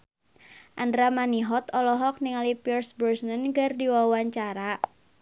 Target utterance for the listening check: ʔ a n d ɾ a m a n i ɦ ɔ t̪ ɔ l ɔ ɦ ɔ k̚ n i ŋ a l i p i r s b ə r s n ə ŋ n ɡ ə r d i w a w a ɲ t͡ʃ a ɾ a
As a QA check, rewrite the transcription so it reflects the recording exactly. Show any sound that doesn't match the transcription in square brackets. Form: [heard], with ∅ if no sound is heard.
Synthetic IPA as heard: ʔ a n d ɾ a m a n i ɦ ɔ t̪ ɔ l ɔ ɦ ɔ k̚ n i ŋ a l i p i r s b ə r s n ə [∅] n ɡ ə r d i w a w a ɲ t͡ʃ a ɾ a